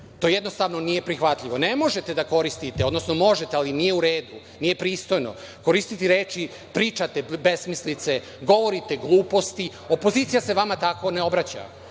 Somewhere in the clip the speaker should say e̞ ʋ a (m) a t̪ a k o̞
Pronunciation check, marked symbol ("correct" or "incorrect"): correct